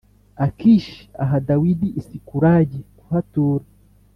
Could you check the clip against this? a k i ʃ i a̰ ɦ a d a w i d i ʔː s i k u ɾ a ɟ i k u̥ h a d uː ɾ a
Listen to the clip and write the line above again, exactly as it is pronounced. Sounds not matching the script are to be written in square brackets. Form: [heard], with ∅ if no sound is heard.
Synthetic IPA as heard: a k i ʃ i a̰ ɦ a d a w i d i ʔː s i k u ɾ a ɟ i k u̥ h a [t] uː ɾ a